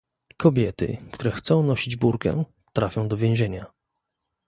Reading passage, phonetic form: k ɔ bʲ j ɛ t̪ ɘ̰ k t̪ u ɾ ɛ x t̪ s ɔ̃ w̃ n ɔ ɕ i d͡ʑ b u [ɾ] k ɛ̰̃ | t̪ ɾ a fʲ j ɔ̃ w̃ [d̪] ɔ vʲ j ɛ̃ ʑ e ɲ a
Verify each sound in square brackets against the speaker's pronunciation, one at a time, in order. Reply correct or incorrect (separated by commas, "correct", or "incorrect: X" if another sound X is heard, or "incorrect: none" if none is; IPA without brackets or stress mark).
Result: correct, correct